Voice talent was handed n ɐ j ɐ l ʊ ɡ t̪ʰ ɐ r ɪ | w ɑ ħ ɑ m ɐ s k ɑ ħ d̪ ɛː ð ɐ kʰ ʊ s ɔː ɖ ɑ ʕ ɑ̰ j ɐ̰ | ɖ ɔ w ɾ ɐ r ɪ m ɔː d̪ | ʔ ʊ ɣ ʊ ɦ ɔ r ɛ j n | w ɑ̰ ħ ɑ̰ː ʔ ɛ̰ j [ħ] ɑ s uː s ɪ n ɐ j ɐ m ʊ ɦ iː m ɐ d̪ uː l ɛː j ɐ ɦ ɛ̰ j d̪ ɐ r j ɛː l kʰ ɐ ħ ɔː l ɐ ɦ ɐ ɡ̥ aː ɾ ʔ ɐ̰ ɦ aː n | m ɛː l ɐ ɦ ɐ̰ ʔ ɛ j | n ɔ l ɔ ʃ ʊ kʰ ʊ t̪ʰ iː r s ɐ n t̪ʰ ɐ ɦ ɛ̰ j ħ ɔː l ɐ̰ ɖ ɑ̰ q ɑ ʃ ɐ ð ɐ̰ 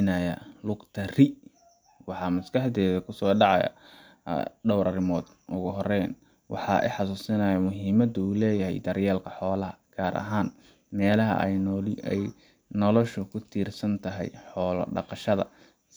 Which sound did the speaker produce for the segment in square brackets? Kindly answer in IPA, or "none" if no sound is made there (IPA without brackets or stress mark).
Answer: ħ